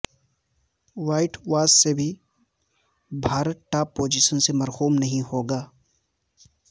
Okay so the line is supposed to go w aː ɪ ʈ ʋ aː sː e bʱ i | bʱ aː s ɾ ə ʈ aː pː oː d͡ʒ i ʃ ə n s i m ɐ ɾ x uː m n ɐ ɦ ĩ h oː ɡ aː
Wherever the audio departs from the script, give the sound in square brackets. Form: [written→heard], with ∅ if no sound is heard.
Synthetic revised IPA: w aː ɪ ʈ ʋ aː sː e bʱ i | bʱ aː [s→∅] ɾ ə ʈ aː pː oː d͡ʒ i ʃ ə n s [i→e] m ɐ ɾ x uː m n ɐ ɦ ĩ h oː ɡ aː